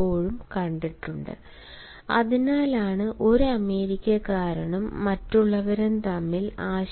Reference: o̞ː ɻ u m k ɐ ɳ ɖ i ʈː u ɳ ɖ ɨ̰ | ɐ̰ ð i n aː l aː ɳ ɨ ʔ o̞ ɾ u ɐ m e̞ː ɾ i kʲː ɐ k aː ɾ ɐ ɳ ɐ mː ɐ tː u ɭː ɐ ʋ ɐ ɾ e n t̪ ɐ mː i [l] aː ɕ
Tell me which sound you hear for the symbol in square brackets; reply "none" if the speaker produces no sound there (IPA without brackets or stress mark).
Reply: l